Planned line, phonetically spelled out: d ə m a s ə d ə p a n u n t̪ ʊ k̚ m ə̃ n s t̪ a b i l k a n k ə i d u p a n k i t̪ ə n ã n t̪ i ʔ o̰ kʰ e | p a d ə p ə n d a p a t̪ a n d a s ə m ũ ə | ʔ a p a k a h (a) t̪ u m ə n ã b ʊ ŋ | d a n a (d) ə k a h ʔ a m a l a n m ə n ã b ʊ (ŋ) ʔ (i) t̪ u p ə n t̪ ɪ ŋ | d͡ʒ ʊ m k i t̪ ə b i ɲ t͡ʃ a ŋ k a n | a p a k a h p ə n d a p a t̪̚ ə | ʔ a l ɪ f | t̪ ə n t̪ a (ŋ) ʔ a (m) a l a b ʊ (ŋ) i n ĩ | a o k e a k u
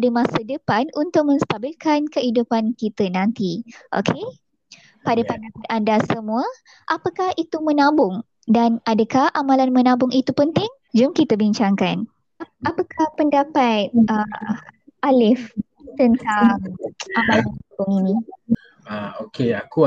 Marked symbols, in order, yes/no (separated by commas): no, yes, yes, yes, yes, yes, yes